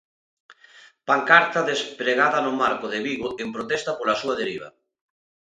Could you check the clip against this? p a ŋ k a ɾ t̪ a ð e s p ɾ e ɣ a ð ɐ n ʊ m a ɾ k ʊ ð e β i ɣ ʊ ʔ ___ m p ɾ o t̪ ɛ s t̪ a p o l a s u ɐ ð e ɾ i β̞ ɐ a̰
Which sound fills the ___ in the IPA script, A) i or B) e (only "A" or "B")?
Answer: B